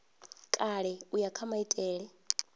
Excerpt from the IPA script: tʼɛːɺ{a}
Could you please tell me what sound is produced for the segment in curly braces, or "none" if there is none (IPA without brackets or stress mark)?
ɛ